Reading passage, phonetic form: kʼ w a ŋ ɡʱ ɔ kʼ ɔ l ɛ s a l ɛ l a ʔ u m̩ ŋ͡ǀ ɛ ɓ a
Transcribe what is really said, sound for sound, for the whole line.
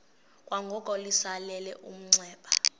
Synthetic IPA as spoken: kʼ w a ŋ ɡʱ ɔ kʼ ɔ l i s a l ɛ l ɛ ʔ u m̩ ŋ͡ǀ ɛː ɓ a